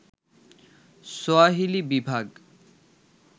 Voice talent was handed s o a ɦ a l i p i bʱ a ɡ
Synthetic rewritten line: s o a ɦ i l i b i bʱ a ɡ